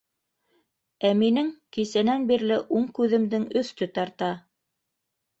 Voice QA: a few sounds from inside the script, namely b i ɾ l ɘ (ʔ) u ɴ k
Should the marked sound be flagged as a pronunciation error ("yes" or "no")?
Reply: no